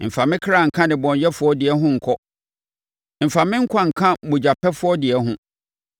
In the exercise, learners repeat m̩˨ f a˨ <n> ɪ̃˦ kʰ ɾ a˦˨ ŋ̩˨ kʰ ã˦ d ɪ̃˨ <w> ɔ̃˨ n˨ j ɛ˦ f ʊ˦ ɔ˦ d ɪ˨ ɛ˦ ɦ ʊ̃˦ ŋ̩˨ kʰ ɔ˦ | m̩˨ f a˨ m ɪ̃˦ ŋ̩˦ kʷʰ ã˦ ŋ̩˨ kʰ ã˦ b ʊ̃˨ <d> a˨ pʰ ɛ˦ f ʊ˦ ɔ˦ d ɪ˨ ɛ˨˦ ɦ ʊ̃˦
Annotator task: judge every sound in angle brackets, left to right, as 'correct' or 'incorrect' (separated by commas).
incorrect, incorrect, incorrect